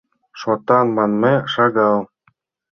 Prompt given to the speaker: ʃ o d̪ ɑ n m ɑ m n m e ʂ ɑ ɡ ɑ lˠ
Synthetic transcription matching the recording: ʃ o t̪ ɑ n m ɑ n m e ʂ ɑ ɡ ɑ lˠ

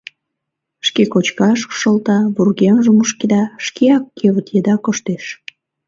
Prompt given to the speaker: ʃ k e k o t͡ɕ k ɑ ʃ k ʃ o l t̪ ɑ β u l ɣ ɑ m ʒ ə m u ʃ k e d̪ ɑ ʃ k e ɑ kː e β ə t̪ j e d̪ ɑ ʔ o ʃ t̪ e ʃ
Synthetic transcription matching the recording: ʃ k e k o t͡ɕ k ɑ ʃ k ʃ o l t̪ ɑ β u r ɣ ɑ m ʒ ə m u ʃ k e d̪ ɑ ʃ k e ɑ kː e β ə t̪ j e d̪ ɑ k o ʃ t̪ e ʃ

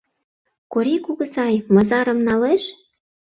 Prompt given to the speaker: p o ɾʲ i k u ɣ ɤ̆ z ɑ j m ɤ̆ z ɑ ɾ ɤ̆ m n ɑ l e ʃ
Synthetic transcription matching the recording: k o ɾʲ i k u ɣ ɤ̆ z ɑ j m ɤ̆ z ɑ ɾ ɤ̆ m n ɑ l e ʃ

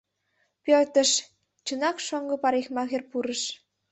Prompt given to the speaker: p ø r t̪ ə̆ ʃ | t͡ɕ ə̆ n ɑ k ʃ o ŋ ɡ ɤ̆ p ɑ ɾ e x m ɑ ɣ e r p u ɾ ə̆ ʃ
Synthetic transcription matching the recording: p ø r t̪ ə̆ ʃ | t͡ɕ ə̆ n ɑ k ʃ o ŋ ɡ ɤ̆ p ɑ ɾ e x m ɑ ɣ e r p u ɾ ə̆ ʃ

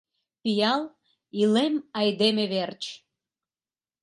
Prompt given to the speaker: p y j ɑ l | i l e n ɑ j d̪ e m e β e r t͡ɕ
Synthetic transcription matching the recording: p i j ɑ l | i l e m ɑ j d̪ e m e β e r t͡ɕ

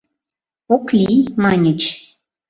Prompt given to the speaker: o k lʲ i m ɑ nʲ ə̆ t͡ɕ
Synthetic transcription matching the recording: o k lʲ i m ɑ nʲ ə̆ t͡ɕ

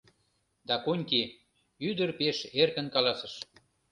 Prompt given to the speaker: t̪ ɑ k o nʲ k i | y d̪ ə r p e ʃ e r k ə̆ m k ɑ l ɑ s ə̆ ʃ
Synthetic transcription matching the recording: d̪ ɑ k o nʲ k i | y d̪ ə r p e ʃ e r k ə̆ n k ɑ l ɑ s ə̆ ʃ

